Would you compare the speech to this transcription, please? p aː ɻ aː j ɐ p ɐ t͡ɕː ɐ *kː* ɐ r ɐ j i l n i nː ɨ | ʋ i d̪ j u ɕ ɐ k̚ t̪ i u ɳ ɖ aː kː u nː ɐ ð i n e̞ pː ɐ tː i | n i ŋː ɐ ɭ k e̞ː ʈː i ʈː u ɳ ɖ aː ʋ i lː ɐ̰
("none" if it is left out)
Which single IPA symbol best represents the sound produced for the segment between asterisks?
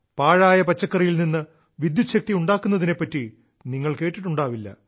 kː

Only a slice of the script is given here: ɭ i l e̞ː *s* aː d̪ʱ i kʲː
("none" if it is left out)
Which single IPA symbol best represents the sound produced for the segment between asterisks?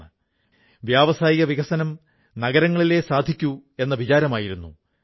s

